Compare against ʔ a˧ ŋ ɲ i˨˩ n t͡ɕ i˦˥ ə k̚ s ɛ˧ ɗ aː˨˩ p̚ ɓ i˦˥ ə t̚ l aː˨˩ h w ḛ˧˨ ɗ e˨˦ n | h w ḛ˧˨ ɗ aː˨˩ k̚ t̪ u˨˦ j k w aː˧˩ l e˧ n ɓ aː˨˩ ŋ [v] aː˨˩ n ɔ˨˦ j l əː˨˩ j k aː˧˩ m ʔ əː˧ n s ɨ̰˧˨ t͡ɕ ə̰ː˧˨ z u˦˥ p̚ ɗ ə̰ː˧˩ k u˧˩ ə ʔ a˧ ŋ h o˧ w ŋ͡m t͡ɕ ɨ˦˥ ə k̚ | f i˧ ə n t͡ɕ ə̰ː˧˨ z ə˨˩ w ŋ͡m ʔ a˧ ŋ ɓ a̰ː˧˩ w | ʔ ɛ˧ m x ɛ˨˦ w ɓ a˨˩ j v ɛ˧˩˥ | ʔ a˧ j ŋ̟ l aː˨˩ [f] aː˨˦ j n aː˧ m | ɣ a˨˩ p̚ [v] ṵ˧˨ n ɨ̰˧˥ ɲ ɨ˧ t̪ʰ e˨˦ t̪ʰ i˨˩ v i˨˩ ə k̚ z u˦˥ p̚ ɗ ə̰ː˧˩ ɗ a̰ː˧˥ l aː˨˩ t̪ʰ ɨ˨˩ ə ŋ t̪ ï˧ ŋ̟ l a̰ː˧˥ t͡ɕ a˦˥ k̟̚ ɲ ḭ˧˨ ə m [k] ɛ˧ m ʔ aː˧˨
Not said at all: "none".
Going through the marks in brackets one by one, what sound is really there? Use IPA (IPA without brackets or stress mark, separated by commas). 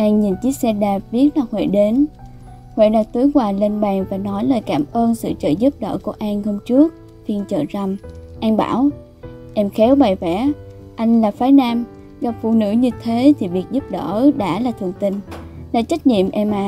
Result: v, f, f, ʔ